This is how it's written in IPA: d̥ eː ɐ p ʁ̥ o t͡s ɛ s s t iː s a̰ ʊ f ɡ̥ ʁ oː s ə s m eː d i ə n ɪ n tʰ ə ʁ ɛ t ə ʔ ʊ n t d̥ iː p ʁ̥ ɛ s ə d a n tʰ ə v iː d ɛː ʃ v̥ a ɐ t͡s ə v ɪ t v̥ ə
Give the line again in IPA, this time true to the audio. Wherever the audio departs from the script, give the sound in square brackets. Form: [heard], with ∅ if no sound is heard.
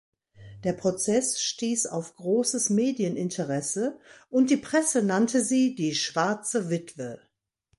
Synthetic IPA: d̥ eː ɐ p ʁ̥ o t͡s ɛ s [ʃ] t iː s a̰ ʊ f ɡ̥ ʁ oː s ə s m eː d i ə n ɪ n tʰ ə ʁ ɛ [s] ə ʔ ʊ n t d̥ iː p ʁ̥ ɛ s ə [n] a n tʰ ə [z] iː d [iː] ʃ v̥ a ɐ t͡s ə v ɪ t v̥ ə